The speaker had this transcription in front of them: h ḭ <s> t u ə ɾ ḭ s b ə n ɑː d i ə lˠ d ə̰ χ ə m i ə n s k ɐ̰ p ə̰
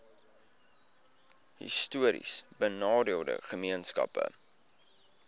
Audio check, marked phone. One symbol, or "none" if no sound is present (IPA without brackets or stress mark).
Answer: s